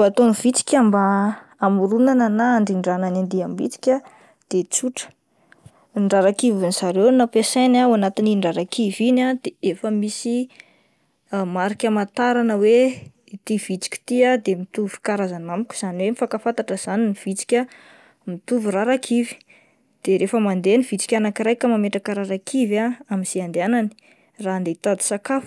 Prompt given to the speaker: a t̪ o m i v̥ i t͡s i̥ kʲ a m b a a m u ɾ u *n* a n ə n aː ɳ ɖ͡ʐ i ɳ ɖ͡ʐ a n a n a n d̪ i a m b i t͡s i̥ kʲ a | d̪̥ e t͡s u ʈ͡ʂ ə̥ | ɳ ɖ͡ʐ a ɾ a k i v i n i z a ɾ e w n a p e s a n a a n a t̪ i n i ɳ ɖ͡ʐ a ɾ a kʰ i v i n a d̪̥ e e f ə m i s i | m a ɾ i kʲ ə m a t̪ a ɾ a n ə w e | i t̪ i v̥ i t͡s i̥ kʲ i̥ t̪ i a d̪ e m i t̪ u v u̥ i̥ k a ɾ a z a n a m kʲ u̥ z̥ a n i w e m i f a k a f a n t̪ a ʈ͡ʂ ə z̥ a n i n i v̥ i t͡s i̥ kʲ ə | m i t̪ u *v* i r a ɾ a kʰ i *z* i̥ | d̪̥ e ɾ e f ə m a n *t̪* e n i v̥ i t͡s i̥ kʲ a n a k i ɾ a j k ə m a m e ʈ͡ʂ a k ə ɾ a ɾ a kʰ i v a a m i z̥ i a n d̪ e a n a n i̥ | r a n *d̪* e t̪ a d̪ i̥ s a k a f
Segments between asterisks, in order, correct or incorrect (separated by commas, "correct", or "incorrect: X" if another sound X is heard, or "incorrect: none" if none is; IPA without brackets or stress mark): correct, correct, incorrect: v, incorrect: d̪, correct